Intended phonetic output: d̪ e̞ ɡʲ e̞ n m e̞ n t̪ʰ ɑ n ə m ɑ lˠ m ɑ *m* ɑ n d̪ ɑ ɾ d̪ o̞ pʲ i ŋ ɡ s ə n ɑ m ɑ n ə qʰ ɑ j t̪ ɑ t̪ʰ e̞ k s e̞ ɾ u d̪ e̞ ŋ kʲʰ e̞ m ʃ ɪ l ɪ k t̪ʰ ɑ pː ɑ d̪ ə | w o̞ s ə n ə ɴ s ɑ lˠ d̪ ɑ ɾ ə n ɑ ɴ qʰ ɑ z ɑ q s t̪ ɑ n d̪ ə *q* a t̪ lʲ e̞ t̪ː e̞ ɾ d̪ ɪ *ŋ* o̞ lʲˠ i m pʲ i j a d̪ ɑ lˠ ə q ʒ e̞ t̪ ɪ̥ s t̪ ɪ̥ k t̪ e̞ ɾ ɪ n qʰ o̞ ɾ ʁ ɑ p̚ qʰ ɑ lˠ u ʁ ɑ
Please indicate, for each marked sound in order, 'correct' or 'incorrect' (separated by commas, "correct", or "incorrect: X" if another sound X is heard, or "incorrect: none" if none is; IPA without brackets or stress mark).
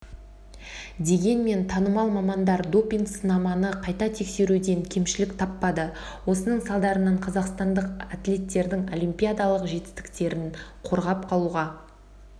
correct, correct, correct